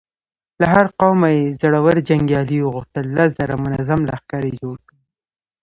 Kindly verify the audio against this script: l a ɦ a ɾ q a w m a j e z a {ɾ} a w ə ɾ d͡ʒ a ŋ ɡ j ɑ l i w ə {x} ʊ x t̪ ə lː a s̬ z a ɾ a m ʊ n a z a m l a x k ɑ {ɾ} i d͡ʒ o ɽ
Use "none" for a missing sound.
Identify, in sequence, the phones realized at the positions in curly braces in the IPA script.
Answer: ɽ, ɣ, ɾ

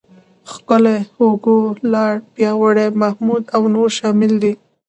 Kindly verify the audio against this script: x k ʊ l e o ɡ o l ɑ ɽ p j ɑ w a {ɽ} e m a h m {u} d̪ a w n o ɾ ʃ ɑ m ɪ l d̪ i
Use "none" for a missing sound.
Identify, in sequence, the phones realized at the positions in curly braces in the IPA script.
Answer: ɽ, u

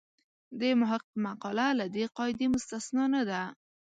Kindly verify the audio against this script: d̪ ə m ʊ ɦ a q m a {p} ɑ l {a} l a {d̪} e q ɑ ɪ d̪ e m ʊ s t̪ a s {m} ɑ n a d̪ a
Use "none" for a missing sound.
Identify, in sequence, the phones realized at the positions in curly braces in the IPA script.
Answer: q, a, d̪, n

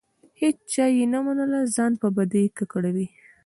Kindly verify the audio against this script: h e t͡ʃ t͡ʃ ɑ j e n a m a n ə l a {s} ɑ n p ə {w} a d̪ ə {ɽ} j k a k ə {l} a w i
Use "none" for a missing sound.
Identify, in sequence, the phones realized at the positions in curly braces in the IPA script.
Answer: z, b, none, ɽ

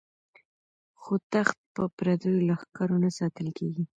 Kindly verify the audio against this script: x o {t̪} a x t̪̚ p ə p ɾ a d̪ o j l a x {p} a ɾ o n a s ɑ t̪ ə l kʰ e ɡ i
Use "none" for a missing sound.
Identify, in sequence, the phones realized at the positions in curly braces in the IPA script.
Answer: t̪, k

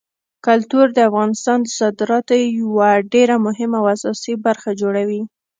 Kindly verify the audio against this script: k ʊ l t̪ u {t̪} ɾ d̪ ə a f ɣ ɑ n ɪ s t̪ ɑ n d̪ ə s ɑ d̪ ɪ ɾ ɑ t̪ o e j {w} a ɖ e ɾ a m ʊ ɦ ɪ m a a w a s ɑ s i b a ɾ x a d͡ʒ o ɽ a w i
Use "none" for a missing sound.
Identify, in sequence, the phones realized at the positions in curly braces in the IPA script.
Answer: none, w

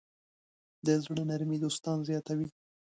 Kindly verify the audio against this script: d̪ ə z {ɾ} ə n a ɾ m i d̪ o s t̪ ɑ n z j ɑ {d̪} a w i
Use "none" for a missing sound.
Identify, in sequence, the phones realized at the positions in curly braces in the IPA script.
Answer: ɽ, t̪

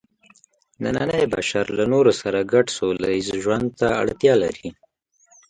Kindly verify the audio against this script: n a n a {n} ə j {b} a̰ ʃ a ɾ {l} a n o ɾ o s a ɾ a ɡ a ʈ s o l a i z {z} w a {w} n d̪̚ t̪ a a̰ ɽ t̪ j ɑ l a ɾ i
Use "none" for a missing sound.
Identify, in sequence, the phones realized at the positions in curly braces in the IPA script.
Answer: n, b, l, ʒ, none

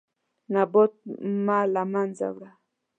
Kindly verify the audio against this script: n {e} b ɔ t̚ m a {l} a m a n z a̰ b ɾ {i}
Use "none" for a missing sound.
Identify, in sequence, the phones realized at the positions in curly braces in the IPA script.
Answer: a, l, a

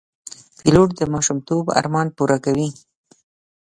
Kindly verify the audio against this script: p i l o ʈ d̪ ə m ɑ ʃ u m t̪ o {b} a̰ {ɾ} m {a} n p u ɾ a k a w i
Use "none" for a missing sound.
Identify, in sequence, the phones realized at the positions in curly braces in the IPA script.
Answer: b, ɾ, ɑ

